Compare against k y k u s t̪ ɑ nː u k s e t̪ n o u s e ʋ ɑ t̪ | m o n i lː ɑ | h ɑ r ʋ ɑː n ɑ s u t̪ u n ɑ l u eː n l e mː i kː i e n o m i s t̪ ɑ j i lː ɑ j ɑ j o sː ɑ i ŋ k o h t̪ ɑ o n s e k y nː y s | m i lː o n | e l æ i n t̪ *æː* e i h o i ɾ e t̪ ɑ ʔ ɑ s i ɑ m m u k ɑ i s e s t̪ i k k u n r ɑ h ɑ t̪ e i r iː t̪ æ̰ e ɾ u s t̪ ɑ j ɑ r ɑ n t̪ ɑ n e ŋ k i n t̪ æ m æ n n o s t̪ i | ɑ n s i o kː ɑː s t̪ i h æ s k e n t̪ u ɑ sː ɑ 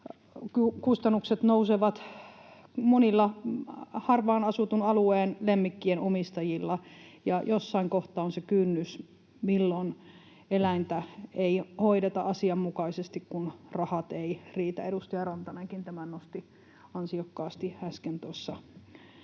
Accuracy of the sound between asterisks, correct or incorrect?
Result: incorrect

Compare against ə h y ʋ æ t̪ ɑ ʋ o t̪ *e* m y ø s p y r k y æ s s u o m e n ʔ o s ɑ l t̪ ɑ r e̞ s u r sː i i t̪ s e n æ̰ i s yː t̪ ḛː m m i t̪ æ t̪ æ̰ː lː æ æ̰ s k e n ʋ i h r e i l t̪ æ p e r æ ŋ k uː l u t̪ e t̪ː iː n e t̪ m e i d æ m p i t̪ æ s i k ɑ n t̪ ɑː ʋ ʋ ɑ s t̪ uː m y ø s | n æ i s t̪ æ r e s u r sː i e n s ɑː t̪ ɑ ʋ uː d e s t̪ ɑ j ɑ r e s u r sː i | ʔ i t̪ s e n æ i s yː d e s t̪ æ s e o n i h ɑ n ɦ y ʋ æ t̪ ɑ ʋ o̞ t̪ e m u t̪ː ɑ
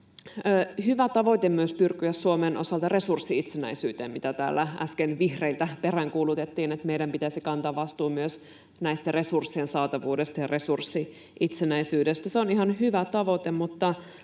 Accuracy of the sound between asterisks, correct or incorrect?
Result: correct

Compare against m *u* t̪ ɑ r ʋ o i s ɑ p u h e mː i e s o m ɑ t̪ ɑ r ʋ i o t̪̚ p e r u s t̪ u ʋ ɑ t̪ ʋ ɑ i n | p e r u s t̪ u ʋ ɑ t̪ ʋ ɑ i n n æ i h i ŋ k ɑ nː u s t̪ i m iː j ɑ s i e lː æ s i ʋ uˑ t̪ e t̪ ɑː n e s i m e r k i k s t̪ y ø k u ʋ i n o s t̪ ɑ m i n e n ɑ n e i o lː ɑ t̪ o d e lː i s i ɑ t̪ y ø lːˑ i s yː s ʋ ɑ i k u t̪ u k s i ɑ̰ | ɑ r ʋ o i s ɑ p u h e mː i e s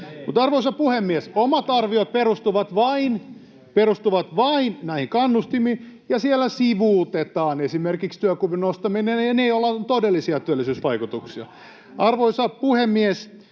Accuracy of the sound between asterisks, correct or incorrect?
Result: correct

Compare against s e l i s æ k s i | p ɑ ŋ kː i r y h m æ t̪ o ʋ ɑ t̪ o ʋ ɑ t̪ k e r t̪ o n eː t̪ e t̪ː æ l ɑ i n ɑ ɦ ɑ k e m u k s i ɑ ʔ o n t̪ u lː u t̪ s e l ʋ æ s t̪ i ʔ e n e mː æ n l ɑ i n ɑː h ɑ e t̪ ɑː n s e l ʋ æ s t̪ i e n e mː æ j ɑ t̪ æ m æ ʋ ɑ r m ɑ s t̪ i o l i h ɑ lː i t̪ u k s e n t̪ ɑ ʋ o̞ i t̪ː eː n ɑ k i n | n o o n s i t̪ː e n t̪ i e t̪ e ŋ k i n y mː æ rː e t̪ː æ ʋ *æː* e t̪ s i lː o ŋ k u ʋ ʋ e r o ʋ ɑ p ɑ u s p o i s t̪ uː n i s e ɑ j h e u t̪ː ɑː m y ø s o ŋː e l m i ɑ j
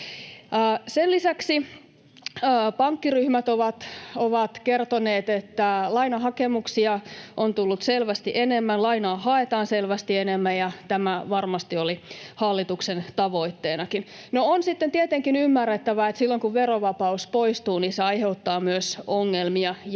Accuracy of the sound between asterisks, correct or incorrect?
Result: incorrect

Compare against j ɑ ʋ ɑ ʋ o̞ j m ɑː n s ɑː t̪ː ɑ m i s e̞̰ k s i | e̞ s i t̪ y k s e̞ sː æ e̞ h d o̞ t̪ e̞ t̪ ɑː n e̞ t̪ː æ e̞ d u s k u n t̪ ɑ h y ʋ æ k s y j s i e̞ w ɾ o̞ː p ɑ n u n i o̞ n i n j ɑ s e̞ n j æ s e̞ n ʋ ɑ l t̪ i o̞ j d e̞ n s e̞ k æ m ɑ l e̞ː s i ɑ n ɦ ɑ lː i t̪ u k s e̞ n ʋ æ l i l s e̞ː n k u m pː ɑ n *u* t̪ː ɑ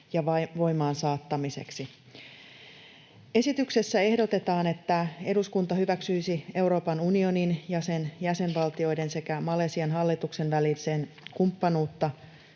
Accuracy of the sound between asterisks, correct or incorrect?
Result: incorrect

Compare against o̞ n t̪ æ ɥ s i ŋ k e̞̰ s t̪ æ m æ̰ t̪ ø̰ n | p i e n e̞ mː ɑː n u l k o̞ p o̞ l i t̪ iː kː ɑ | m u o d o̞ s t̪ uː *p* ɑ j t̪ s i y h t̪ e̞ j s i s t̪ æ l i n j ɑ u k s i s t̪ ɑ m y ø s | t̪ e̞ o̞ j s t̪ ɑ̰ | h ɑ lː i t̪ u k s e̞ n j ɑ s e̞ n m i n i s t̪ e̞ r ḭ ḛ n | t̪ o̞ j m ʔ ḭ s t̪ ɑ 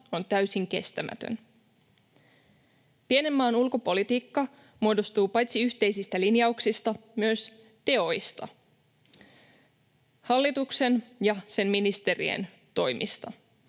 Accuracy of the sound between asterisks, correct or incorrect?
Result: correct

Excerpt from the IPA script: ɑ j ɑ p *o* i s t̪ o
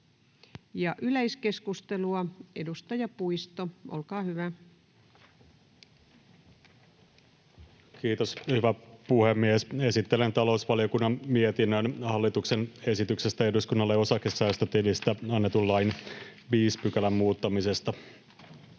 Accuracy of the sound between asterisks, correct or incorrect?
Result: incorrect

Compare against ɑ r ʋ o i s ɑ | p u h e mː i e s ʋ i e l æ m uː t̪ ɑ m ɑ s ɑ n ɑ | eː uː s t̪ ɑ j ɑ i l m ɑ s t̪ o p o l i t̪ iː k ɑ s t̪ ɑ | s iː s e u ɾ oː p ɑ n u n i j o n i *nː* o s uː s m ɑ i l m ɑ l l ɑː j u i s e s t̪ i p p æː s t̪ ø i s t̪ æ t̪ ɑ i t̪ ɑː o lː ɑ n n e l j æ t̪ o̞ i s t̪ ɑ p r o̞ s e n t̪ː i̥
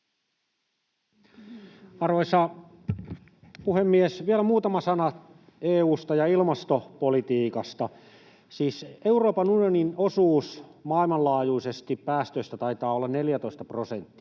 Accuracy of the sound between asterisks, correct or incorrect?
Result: incorrect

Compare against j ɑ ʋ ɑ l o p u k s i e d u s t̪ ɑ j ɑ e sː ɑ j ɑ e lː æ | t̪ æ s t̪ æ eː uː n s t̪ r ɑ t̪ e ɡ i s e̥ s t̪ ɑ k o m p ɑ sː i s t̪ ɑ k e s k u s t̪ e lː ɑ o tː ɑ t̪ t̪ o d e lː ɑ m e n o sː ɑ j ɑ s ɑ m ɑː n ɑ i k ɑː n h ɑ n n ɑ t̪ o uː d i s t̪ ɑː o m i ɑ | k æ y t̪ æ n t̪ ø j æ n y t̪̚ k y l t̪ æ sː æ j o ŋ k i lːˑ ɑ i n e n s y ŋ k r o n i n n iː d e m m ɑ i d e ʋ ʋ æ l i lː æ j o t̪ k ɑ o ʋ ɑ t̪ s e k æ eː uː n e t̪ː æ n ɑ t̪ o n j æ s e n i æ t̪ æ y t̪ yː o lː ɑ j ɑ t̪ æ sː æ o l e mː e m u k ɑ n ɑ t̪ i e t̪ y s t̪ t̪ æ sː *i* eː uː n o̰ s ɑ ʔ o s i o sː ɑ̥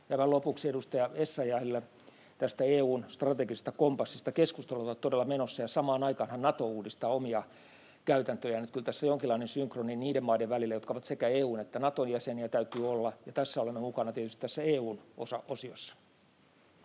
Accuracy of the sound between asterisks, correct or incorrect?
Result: incorrect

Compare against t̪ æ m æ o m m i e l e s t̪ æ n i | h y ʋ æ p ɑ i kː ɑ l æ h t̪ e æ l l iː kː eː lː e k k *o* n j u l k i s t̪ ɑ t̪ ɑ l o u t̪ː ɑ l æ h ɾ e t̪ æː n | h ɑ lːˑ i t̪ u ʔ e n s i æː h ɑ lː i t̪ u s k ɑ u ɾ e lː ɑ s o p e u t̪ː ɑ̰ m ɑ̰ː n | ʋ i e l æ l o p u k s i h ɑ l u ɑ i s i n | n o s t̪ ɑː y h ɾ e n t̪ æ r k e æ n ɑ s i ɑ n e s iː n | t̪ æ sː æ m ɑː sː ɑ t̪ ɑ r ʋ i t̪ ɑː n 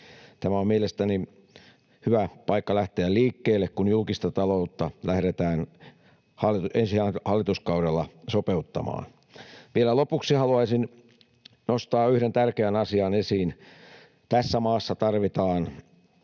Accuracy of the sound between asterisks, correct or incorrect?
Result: incorrect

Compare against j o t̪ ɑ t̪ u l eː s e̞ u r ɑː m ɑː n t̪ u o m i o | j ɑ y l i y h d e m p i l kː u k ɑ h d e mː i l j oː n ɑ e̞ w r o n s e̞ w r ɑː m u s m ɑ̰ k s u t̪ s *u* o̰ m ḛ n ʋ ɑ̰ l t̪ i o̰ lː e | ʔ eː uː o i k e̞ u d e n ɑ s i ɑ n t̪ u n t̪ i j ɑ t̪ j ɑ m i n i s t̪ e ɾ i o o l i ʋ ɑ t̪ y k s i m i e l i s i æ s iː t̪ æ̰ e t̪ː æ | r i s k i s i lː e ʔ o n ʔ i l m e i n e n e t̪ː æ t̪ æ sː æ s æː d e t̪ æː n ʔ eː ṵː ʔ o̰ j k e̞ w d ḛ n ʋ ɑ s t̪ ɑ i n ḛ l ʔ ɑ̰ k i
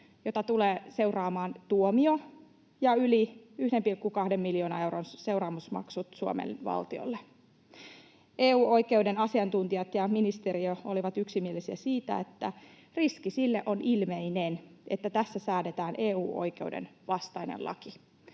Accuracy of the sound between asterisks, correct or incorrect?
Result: correct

